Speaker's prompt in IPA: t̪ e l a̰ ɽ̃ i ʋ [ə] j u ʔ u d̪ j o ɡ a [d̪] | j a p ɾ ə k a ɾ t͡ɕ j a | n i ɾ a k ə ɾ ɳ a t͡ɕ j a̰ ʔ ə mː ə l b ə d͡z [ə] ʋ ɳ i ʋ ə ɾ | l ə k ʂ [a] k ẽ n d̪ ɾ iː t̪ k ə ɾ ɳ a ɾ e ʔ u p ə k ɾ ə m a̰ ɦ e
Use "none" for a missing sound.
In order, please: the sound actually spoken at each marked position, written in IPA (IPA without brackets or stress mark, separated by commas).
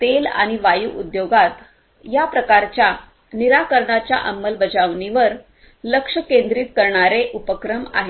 a, t̪, a, ə